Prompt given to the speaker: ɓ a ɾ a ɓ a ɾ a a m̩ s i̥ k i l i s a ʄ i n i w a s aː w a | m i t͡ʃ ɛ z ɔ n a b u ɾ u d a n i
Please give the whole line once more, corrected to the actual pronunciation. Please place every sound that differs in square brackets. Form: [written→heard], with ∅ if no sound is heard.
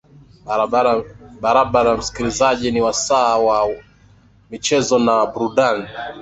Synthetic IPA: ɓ a ɾ a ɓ a ɾ a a m̩ s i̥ k i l i [s→z] a ʄ i n i w a s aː w a | m i t͡ʃ ɛ z ɔ n a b u ɾ u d a n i